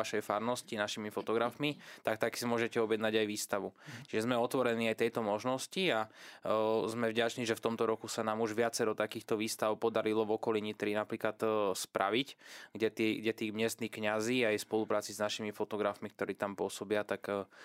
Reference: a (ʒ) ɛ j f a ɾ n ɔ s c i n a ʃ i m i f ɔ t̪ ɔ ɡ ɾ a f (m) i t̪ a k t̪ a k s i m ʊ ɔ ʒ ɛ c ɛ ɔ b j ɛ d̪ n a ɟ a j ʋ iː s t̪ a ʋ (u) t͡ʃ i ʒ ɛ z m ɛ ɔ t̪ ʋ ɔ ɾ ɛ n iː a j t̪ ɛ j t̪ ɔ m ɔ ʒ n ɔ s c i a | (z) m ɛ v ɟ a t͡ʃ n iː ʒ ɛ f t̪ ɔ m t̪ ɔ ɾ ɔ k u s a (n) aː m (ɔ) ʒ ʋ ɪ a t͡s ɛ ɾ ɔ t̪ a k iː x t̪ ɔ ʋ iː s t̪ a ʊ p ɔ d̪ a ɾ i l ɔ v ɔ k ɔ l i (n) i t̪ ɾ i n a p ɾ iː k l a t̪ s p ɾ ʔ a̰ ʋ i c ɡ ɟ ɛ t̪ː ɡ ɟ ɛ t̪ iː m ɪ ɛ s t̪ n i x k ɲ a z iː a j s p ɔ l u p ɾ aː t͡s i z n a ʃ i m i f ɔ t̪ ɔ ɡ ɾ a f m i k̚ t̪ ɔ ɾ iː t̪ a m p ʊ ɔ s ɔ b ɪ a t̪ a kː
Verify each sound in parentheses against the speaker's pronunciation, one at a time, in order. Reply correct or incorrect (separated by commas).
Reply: incorrect, correct, correct, correct, correct, incorrect, incorrect